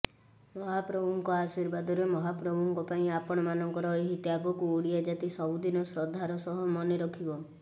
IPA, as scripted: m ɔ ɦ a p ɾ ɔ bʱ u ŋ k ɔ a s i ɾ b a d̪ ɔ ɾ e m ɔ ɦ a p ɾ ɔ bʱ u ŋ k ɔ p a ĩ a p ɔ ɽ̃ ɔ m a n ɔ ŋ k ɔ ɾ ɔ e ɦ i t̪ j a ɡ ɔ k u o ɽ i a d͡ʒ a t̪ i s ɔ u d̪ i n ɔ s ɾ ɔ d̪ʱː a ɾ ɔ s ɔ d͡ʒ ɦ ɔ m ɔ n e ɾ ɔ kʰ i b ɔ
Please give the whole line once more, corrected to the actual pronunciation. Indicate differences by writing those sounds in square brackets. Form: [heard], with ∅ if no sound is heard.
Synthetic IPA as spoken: m ɔ ɦ a p ɾ ɔ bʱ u ŋ k ɔ a s i ɾ b a d̪ ɔ ɾ e m ɔ ɦ a p ɾ ɔ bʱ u ŋ k ɔ p a ĩ a p ɔ ɽ̃ ɔ m a n ɔ ŋ k ɔ ɾ ɔ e ɦ i t̪ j a ɡ ɔ k u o ɽ i a d͡ʒ a t̪ i s ɔ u d̪ i n ɔ s ɾ ɔ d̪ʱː a ɾ ɔ s ɔ [∅] ɦ ɔ m ɔ n e ɾ ɔ kʰ i b ɔ